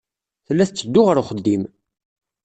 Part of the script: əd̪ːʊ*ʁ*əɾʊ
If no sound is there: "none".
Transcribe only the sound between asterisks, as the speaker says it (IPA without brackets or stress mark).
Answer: ʁ